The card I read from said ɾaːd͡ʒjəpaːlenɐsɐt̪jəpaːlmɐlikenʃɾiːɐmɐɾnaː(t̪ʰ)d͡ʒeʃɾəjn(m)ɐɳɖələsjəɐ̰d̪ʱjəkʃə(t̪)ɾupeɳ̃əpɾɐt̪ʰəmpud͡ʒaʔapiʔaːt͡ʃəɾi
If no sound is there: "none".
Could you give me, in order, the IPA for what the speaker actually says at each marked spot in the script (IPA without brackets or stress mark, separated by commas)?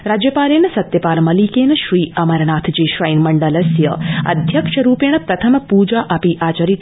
t̪ʰ, m, none